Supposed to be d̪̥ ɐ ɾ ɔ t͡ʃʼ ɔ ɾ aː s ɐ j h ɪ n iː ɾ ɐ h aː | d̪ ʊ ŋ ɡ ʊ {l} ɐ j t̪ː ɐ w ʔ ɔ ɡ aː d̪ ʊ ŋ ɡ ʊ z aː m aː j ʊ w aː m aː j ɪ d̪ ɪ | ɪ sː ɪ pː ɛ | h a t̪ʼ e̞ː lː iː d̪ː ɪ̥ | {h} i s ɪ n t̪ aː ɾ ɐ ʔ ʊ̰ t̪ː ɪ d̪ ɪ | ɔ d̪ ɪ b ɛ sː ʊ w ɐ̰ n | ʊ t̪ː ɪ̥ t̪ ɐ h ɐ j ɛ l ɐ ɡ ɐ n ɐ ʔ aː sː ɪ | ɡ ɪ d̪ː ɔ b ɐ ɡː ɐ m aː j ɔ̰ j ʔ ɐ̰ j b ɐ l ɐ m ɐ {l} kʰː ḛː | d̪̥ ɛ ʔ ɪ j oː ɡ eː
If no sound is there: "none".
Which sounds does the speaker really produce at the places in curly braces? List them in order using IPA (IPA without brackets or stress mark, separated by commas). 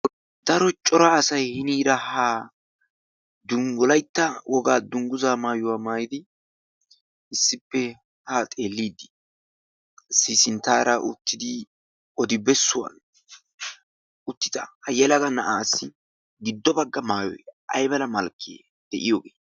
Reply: l, s, l